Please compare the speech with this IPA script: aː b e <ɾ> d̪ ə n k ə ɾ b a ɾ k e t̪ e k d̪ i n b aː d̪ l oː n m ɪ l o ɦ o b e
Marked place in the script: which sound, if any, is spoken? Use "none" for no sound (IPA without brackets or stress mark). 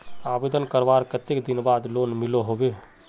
none